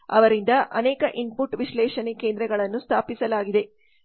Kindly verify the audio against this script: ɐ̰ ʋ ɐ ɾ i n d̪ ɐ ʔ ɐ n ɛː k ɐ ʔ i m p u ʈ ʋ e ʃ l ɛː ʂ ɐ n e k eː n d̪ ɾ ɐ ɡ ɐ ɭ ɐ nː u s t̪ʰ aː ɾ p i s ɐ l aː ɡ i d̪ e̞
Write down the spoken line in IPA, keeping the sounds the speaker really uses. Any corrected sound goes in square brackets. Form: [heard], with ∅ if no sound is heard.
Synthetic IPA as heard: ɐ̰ ʋ ɐ ɾ i n d̪ ɐ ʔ ɐ n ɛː k ɐ ʔ i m p u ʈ ʋ [i] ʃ l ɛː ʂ ɐ n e k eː n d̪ ɾ ɐ ɡ ɐ ɭ ɐ nː u s t̪ʰ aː [∅] p i s ɐ l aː ɡ i d̪ e̞